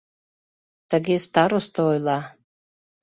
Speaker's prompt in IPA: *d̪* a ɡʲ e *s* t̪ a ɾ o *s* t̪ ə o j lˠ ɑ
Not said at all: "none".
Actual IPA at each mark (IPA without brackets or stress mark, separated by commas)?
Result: t̪, s, s